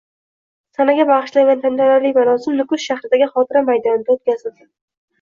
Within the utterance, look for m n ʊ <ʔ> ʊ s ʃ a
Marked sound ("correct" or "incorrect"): incorrect